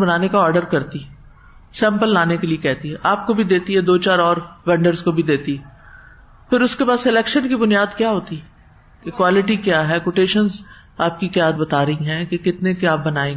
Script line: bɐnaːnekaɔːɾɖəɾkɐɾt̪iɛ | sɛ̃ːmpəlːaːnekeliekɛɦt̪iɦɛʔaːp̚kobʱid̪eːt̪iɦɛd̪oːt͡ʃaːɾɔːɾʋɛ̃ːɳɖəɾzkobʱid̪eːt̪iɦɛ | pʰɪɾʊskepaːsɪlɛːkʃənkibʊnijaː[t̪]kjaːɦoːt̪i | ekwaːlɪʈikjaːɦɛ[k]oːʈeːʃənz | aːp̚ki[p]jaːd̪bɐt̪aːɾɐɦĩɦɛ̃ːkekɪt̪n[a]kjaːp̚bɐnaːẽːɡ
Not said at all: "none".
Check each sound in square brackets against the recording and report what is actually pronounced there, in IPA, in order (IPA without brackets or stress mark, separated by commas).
d̪, k, k, e